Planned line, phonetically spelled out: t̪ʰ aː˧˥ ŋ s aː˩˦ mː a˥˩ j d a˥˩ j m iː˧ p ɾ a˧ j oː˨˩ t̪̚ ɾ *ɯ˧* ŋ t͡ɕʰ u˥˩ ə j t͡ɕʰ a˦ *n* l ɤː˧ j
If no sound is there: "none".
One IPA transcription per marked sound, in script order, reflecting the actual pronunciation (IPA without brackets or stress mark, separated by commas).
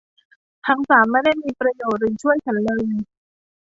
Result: ɯ˨˩, n